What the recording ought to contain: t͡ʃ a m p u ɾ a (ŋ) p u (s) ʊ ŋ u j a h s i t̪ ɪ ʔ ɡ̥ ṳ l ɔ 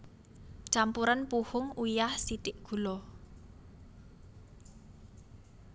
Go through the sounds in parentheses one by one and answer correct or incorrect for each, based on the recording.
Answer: incorrect: n, incorrect: h

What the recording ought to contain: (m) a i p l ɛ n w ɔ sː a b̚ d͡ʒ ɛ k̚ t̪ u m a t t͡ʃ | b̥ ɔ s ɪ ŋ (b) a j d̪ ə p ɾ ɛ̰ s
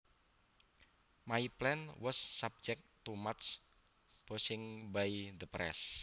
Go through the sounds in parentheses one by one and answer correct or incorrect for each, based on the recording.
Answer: correct, correct

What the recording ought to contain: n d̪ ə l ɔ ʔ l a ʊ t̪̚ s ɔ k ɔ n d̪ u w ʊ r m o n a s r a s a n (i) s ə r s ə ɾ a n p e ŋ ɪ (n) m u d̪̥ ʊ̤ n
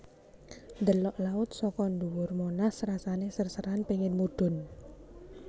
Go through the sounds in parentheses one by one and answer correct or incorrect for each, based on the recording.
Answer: incorrect: e, correct

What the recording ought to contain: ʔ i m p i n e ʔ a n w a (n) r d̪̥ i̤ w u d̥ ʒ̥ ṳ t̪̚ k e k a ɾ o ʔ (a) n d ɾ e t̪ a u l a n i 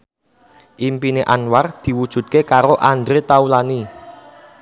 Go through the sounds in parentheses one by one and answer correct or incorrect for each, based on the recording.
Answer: incorrect: none, correct

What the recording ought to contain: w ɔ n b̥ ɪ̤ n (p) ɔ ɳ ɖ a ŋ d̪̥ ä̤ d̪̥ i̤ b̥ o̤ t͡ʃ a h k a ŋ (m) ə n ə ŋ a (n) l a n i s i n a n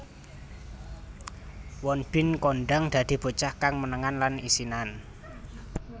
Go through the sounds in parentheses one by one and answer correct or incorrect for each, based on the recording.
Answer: incorrect: k, correct, correct

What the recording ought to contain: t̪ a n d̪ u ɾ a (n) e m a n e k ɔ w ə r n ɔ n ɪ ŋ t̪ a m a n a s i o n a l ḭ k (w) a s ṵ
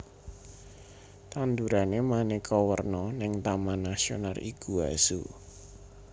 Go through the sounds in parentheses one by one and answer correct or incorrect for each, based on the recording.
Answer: correct, incorrect: u

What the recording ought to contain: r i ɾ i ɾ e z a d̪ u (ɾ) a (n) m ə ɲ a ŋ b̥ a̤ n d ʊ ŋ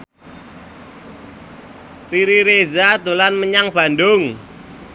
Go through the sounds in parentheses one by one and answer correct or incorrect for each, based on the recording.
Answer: incorrect: l, correct

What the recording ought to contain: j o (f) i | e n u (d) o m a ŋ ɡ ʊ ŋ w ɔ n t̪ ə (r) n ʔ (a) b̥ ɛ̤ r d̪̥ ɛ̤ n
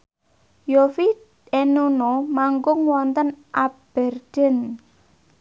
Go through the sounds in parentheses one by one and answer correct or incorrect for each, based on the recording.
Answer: correct, incorrect: n, incorrect: none, correct

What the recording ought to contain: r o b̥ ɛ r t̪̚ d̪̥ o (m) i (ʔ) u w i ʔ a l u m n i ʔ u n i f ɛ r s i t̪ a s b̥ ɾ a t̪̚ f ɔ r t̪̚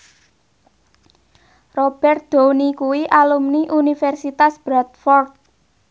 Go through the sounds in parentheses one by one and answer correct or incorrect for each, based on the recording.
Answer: incorrect: n, incorrect: k

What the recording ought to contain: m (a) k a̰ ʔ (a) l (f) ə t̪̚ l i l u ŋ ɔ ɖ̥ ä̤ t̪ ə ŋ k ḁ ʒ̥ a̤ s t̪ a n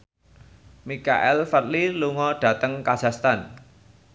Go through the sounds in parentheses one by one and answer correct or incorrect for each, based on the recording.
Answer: incorrect: i, incorrect: ɛ, correct

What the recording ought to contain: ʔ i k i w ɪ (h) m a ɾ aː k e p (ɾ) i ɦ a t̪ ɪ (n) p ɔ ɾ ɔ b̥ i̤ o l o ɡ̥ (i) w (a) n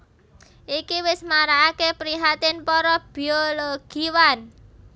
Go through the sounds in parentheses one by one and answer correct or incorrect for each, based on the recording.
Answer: incorrect: s, correct, correct, correct, correct

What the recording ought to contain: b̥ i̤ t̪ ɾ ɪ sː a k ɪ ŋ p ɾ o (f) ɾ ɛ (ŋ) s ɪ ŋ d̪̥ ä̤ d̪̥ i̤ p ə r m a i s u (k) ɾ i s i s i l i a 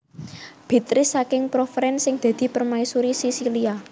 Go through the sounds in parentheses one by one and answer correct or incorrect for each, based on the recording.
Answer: correct, incorrect: n, incorrect: none

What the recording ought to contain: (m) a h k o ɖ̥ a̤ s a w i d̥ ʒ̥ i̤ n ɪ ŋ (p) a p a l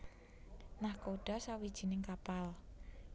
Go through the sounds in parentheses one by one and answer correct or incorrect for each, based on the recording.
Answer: incorrect: n, incorrect: k

